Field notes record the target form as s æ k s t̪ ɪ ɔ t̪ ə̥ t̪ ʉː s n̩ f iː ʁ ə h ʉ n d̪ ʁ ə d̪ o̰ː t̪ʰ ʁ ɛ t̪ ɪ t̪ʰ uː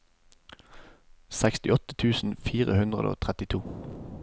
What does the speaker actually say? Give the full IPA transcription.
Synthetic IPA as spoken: s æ k s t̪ ɪ ɔ t̪ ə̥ t̪ʰ ʉː s n̩ f iː ʁ ə h ʉ n d̪ ʁ ə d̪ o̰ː t̪ʰ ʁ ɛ t̪ ɪ t̪ʰ uː